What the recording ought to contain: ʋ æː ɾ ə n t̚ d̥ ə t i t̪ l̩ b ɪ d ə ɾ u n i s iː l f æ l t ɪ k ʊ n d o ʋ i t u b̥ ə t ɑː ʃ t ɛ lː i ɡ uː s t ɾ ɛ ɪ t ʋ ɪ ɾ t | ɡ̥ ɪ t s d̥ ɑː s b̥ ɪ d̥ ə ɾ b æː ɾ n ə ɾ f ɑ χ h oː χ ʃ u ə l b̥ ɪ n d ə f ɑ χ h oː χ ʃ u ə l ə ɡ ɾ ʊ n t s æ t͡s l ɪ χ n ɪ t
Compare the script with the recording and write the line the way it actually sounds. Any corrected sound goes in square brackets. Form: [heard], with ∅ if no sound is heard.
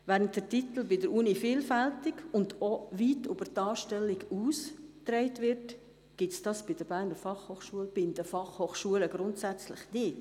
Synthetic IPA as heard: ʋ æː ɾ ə n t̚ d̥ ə t i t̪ l̩ b ɪ d ə ɾ u n i [f] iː l f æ l t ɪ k ʊ n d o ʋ i t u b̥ ə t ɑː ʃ t ɛ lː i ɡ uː s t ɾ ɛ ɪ t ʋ ɪ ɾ t | ɡ̥ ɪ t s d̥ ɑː s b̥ ɪ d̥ ə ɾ b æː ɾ n ə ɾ f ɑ χ h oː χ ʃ u ə l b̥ ɪ n d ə f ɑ χ h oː χ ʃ u ə l ə ɡ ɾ ʊ n t s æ t͡s l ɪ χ n ɪ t